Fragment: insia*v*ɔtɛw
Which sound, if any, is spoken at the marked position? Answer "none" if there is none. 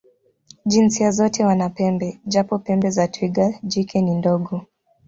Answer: z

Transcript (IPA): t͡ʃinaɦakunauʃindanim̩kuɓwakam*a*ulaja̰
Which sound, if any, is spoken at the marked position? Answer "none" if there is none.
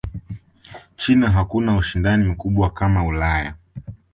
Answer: a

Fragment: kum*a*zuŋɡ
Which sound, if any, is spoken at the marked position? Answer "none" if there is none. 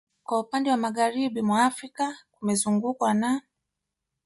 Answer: ɛ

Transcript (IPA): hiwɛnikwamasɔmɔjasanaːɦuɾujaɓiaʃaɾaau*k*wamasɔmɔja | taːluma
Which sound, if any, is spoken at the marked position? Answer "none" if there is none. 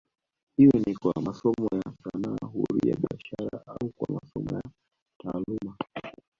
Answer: k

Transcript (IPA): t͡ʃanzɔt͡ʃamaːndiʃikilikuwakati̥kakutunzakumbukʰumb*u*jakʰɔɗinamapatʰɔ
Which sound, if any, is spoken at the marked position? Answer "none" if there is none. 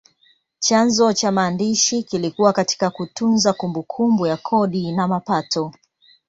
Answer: u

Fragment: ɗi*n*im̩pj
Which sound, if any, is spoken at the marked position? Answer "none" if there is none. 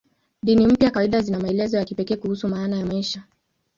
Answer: n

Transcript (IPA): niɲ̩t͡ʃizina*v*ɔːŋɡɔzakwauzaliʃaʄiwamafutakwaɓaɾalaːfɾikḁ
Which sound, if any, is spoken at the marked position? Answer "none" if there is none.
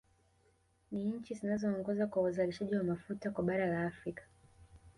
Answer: z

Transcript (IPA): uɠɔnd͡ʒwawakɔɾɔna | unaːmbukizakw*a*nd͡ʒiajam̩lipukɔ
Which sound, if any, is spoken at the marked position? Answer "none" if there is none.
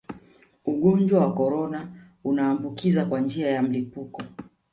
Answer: a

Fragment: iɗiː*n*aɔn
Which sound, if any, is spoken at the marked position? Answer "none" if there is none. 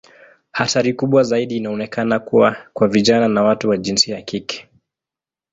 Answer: n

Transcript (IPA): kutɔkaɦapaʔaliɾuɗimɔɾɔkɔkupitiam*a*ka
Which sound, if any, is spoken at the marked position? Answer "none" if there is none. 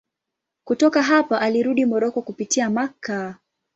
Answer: a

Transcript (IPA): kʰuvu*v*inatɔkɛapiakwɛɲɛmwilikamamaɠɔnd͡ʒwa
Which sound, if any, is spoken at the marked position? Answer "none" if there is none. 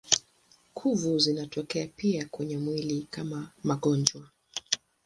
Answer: z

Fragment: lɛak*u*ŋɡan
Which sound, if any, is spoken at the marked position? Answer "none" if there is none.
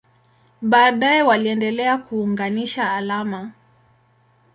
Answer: uː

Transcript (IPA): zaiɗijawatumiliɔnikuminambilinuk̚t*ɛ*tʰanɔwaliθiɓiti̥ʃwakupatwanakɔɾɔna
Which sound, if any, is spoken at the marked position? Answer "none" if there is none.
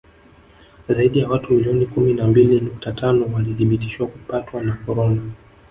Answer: a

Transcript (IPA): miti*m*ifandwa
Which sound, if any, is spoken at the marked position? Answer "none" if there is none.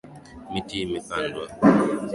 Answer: m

